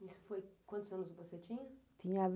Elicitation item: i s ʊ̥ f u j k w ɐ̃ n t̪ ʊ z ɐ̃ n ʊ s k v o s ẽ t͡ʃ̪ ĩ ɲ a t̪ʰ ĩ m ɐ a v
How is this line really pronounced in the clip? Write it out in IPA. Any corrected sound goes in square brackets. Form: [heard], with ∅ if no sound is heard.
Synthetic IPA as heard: i s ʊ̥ f [o] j k w ɐ̃ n t̪ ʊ z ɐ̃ n ʊ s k v o s [e] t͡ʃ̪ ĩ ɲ [ɐ] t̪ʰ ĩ [ɲ] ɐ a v